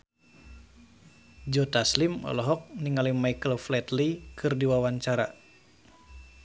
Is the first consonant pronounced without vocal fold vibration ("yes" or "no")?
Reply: no